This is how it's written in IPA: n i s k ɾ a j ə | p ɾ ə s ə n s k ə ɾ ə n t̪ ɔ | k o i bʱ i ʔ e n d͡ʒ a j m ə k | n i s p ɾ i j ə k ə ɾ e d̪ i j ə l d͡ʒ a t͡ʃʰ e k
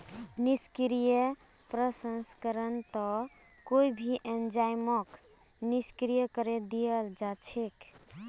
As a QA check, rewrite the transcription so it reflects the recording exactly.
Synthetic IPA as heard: n i s k ɾ i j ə | p ɾ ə s ə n s k ə ɾ ə n t̪ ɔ | k o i bʱ i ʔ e n d͡ʒ a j m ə k | n i s k ɾ i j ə k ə ɾ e d̪ i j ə l d͡ʒ a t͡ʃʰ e k